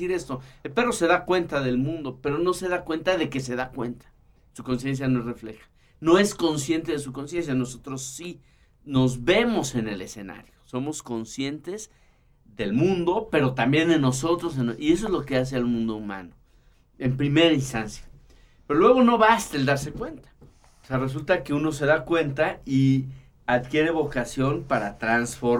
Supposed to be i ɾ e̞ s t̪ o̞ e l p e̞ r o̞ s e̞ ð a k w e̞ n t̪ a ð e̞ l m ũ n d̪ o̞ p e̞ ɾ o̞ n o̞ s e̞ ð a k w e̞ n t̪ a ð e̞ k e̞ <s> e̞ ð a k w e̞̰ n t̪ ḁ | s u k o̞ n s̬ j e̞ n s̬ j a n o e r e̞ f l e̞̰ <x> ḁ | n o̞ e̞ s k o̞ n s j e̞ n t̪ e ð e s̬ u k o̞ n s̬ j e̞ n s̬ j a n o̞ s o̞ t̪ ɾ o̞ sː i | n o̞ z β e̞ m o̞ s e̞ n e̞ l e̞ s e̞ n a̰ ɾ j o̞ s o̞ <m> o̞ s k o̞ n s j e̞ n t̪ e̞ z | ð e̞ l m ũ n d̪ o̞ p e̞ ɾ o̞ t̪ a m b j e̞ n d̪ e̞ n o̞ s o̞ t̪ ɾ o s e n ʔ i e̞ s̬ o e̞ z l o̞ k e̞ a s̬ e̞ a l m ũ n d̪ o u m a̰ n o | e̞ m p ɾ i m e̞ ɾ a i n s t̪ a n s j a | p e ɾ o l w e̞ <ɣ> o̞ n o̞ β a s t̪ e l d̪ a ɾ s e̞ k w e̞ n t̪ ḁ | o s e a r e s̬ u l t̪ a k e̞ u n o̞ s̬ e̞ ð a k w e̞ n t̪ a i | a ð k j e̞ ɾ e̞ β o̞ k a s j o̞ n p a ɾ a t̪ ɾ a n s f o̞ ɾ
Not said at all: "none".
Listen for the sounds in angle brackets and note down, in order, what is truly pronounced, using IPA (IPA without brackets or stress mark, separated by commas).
s, x, m, ɣ